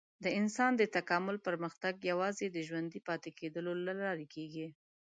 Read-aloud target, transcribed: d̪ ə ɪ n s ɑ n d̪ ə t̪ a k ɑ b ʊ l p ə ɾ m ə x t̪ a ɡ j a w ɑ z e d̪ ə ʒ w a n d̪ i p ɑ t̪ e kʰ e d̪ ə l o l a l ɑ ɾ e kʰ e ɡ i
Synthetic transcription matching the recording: d̪ ə ɪ n s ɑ n d̪ ə t̪ a k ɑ m ʊ l p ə ɾ m ə x t̪ a ɡ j a w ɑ z e d̪ ə ʒ w a n d̪ i p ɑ t̪ e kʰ e d̪ ə l o l a l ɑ ɾ e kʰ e ɡ i